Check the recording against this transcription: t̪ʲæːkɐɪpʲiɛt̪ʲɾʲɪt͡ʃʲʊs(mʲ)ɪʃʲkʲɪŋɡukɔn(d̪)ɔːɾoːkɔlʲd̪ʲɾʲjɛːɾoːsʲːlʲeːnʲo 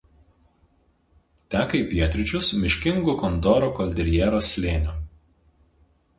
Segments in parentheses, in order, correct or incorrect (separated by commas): correct, correct